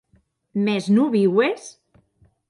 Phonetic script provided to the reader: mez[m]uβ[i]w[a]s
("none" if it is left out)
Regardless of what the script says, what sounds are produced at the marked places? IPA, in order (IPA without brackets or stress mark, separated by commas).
n, i, e